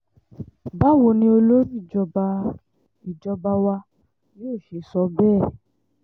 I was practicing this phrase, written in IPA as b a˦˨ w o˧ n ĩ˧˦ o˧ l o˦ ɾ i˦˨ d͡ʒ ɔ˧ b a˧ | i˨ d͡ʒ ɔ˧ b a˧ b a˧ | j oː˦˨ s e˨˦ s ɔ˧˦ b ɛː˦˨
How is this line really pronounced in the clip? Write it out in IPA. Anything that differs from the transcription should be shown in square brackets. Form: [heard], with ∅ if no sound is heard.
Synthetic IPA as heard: b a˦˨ w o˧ n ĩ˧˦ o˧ l o˦ ɾ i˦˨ d͡ʒ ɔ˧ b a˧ | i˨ d͡ʒ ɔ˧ b a˧ [w] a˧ | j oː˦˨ [ʃ] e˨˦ s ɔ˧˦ b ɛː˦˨